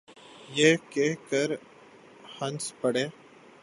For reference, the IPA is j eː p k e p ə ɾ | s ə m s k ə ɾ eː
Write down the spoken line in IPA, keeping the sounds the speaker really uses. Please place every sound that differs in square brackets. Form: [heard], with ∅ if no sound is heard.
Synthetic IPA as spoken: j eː [∅] k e [k] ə ɾ | [h] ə [n] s [p] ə [ɽ] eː

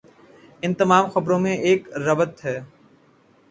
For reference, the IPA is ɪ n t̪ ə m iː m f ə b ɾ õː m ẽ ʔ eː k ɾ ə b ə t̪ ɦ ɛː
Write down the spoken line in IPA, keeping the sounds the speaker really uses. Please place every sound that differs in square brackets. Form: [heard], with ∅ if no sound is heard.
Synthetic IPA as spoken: ɪ n t̪ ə m [aː] m [x] ə b ɾ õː m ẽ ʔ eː k ɾ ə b ə t̪ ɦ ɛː

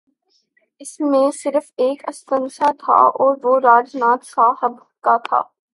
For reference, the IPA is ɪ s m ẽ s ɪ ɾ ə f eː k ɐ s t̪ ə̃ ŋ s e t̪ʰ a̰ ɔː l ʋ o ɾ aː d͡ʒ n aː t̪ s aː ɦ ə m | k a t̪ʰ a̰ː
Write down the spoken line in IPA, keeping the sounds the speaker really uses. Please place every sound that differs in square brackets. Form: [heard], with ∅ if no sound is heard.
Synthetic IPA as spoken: ɪ s m ẽ s ɪ ɾ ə f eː k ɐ s t̪ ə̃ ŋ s [a] t̪ʰ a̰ ɔː [ɾ] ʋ o ɾ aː d͡ʒ n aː t̪ s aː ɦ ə [b] | k a t̪ʰ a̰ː

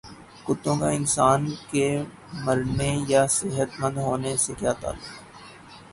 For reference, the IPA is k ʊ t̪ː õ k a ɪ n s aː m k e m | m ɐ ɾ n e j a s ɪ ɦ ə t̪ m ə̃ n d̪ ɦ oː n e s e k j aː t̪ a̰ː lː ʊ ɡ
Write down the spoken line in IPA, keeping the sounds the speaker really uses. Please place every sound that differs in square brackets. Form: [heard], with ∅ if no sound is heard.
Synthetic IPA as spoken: k ʊ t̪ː õ k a ɪ n s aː [n] k e [∅] | m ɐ ɾ n e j a s ɪ ɦ ə t̪ m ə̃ n d̪ ɦ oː n e s e k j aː t̪ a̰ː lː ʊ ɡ

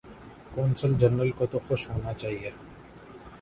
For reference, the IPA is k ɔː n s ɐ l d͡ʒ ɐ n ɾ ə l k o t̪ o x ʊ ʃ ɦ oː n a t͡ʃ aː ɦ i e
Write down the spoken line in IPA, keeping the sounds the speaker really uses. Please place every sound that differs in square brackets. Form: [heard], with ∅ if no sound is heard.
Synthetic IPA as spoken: k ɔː n s [ə] l d͡ʒ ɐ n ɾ ə l k o t̪ o x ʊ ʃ ɦ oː n a t͡ʃ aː ɦ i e

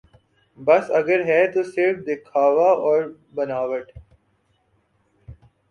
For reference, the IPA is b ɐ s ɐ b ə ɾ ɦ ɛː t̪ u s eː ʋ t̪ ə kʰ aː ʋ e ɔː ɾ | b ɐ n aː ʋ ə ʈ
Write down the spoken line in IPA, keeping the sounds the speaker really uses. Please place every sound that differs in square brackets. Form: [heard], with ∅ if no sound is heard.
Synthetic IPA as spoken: b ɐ s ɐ [ɡ] ə ɾ ɦ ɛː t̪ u s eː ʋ [d̪] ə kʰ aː ʋ [a] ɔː ɾ | b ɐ n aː ʋ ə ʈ

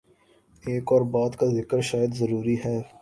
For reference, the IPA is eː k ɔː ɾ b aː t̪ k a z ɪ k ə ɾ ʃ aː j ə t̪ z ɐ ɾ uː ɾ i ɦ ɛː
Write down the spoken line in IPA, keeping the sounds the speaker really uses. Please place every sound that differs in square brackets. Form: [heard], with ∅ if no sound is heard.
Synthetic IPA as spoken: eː k ɔː ɾ b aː [d̪] k a z ɪ k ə ɾ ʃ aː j ə [d̪] z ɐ ɾ uː ɾ i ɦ ɛː

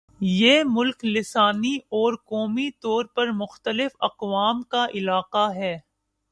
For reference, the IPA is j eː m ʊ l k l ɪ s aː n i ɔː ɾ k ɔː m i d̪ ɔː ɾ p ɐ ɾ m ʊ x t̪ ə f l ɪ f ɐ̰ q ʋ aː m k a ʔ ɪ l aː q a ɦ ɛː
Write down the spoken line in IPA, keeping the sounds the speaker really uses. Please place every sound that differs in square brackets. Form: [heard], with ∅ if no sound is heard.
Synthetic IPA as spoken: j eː m ʊ l k l ɪ s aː n i ɔː ɾ k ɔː m i [t̪] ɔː ɾ p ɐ ɾ m ʊ x t̪ ə [∅] l ɪ f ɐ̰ q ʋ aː m k a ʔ ɪ l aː q a ɦ ɛː

